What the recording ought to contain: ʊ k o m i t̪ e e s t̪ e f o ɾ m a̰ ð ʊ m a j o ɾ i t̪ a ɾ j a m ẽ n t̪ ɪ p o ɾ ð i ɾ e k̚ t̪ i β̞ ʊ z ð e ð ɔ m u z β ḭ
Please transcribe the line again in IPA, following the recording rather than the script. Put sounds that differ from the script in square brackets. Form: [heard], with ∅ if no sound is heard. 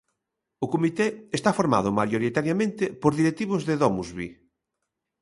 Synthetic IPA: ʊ k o m i t̪ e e s t̪ [a] f o ɾ m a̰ ð ʊ m a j o ɾ i t̪ a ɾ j a m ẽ n t̪ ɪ p o ɾ ð i ɾ e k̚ t̪ i β̞ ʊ z ð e ð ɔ m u z β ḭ